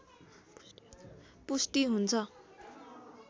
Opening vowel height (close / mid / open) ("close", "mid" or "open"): close